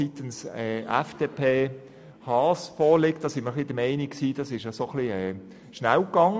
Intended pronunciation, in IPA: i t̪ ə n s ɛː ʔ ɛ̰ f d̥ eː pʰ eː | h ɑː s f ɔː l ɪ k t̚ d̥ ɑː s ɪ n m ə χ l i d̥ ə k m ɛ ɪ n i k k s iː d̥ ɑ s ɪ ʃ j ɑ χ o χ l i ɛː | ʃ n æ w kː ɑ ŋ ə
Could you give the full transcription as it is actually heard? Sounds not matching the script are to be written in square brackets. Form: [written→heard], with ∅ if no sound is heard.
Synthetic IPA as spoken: i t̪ ə n s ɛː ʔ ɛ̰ f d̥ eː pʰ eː | h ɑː s f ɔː l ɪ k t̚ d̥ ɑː s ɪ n m ə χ l i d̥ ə [k→∅] m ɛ ɪ n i k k s iː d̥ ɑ s ɪ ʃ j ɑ [χ→s] o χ l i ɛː | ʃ n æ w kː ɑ ŋ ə